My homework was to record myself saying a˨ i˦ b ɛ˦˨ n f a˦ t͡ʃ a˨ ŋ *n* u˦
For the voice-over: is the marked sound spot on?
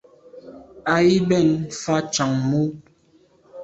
no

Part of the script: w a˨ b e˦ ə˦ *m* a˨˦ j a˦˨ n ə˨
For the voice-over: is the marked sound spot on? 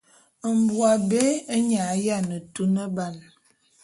no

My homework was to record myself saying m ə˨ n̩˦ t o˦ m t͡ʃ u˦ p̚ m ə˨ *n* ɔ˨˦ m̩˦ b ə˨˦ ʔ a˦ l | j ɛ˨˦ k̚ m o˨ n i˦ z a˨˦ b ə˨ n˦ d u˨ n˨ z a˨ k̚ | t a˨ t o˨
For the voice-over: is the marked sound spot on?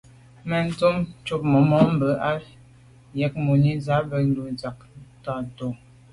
no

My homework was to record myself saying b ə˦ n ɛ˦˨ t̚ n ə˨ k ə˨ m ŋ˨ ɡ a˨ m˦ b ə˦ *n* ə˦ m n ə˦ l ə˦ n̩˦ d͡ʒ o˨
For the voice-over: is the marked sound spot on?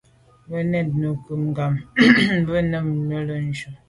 yes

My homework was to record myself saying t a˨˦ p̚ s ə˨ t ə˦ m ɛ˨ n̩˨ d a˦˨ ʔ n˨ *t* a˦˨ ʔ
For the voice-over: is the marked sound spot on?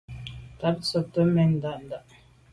no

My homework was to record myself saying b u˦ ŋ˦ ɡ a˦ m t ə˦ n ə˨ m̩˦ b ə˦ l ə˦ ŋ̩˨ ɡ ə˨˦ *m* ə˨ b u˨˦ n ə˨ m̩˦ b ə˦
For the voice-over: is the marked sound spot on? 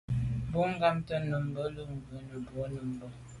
no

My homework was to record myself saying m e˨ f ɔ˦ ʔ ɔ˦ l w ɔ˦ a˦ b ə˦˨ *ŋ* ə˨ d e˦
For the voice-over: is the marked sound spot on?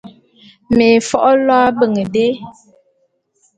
yes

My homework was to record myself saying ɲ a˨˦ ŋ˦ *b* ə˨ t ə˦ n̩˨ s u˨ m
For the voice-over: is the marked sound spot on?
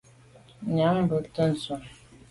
yes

